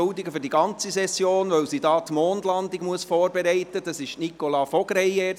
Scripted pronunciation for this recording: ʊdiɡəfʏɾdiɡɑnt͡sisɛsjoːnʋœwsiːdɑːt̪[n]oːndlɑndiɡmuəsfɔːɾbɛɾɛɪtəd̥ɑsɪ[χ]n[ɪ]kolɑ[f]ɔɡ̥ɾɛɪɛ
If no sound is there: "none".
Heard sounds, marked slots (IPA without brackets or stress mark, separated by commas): m, ʃ, i, f